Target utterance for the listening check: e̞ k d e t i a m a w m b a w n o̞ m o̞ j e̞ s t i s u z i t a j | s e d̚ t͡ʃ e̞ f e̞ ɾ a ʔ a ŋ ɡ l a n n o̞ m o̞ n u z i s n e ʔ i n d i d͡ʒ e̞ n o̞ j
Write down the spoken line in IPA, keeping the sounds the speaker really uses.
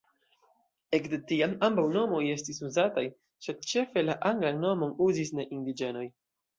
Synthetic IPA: e̞ k d e t i a m a m b a w n o̞ m o̞ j e̞ s t i s u z a t a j | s e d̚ t͡ʃ e̞ f e̞ l a ʔ a ŋ ɡ l a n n o̞ m o̞ n u z i s n e ʔ i n d i d͡ʒ e̞ n o̞ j